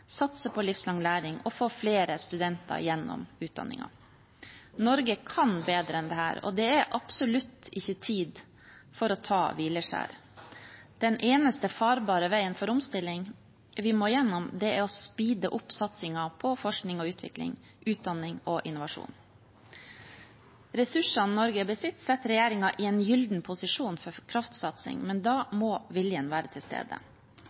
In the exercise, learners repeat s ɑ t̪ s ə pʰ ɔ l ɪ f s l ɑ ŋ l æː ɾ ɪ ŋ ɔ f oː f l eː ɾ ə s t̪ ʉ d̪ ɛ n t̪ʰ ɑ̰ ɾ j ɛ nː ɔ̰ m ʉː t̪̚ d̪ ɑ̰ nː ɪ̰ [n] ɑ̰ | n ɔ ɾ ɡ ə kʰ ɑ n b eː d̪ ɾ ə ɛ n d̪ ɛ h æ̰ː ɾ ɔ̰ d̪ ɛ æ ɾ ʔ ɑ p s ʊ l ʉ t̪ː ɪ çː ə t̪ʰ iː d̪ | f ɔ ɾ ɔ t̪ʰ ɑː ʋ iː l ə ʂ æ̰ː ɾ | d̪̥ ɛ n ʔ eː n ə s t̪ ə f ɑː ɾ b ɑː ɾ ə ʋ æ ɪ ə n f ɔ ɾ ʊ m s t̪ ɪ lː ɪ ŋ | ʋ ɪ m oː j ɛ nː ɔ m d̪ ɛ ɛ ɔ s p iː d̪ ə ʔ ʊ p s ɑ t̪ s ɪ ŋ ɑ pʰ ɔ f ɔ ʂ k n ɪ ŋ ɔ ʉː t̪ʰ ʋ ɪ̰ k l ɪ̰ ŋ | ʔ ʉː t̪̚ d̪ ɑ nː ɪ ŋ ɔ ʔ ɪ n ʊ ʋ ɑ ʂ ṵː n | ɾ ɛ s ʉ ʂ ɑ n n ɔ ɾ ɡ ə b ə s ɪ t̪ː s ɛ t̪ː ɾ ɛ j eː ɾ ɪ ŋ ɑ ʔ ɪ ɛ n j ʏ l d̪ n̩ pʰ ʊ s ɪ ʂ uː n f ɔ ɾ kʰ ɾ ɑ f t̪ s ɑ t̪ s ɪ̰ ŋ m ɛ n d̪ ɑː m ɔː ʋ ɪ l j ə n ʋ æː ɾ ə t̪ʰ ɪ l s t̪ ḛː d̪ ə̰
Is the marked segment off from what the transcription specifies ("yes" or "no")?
yes